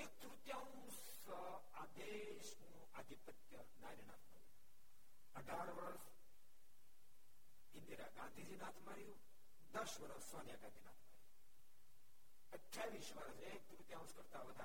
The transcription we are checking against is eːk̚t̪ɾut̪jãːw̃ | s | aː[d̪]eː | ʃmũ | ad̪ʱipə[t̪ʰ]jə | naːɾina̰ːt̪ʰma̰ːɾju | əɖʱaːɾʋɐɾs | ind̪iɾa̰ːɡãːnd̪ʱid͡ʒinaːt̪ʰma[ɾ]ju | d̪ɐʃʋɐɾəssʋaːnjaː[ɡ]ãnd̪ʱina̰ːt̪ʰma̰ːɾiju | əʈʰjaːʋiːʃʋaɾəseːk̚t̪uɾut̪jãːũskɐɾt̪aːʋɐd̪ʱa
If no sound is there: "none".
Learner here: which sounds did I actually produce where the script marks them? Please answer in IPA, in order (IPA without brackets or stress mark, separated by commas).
d̪, t̪, ɾ, ɡ